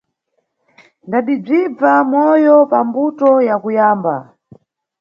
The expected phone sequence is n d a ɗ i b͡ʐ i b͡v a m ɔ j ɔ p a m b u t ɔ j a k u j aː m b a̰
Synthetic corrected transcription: n d a ɗ i b͡ʐ i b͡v a m ɔ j ɔ p a m b u t ɔ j a k u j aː m b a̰